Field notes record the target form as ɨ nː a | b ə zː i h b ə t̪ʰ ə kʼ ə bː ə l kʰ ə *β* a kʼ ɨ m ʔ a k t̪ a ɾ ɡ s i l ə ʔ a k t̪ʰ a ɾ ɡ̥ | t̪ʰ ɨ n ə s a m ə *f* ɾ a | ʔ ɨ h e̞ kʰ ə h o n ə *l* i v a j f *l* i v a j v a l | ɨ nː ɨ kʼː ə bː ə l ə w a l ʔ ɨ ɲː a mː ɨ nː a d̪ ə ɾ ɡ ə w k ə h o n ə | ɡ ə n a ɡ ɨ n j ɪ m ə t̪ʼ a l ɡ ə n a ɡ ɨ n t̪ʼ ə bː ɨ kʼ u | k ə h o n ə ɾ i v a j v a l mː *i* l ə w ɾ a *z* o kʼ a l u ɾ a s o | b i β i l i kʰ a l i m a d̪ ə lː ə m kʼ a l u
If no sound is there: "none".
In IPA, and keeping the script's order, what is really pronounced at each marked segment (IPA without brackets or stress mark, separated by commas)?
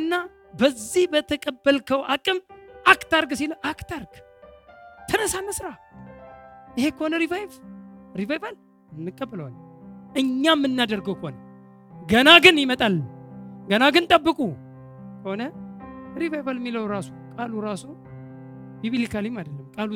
w, s, ɾ, ɾ, i, s